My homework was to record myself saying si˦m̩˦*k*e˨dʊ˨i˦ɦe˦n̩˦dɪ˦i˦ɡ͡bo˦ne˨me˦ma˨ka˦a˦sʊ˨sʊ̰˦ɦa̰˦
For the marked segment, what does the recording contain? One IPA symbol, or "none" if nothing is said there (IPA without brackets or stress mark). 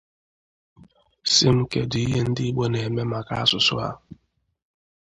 k